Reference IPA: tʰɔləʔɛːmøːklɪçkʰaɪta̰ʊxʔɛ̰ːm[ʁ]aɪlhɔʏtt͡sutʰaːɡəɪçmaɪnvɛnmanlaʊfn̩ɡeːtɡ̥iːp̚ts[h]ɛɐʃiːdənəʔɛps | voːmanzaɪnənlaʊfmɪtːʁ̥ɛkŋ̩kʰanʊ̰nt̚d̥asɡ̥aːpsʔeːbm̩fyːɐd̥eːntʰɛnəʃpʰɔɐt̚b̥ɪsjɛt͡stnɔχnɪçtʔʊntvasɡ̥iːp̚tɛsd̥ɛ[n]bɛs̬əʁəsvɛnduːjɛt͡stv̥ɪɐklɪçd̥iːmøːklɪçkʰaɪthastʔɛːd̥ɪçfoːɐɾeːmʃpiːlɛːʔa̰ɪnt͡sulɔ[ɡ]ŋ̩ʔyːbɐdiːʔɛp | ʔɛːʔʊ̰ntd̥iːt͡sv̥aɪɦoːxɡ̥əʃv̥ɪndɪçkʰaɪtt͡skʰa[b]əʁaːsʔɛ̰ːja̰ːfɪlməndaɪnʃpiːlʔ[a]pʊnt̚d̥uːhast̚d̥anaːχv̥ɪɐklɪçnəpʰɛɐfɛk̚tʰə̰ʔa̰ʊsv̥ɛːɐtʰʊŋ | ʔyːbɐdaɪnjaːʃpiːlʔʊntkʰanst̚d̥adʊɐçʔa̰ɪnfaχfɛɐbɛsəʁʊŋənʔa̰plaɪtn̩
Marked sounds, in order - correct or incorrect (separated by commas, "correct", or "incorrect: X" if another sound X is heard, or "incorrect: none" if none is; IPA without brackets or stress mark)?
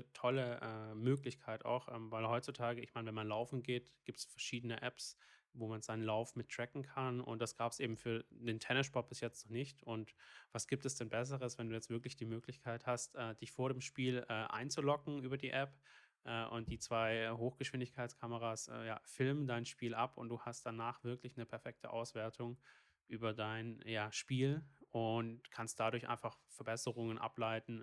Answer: incorrect: v, incorrect: f, correct, incorrect: k, incorrect: m, correct